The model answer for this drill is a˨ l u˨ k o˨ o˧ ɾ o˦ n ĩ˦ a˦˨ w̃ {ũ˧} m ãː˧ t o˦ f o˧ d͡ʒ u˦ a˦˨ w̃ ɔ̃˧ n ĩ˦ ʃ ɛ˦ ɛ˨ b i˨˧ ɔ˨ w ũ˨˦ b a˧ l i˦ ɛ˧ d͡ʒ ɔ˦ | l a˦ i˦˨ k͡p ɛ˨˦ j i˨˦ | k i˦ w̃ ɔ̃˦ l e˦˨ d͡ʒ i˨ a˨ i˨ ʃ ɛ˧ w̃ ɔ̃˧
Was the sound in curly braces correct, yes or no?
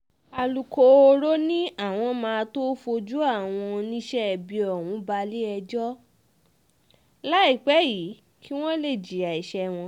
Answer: no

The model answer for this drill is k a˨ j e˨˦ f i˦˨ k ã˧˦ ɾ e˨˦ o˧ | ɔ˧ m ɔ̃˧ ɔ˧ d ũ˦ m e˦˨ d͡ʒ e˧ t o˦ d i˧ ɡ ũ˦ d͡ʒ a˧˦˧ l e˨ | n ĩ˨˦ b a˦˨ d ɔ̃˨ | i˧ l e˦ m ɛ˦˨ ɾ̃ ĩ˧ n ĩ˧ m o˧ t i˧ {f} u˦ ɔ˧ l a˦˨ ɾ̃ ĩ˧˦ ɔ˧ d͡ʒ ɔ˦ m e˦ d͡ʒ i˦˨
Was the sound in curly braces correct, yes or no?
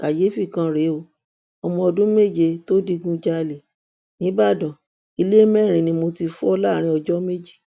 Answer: yes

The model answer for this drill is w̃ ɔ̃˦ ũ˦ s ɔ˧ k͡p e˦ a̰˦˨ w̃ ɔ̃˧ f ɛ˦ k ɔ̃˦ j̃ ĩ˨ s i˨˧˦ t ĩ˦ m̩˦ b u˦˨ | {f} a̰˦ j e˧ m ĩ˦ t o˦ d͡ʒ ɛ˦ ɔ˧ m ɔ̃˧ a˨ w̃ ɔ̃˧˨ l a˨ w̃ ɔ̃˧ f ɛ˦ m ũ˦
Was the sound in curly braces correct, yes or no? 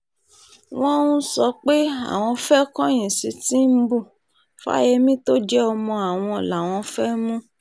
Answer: yes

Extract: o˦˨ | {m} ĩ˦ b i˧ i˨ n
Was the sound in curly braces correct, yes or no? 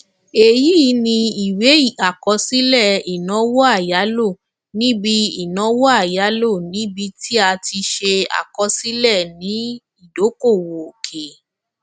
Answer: no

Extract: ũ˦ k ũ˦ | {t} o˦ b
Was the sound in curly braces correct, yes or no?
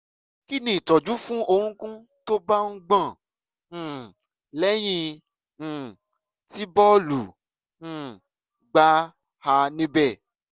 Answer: yes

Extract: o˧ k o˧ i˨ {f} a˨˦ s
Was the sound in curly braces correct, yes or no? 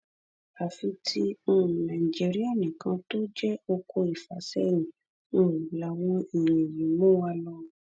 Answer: yes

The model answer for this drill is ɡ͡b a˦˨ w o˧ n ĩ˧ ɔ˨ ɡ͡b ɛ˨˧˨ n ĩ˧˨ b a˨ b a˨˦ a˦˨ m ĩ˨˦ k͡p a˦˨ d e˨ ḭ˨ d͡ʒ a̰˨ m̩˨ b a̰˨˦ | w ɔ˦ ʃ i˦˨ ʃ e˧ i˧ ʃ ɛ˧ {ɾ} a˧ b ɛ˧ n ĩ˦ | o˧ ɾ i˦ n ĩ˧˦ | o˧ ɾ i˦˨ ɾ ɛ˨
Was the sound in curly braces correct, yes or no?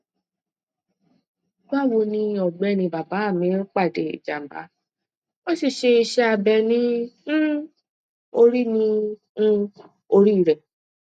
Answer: no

